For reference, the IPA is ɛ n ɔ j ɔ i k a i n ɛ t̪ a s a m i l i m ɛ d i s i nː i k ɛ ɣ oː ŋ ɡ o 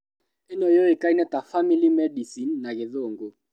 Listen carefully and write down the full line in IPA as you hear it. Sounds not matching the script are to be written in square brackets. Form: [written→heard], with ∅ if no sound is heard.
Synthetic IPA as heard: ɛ n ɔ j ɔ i k a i n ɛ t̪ a [s→f] a m i l i m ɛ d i s i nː [i→a] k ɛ [ɣ→ð] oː ŋ ɡ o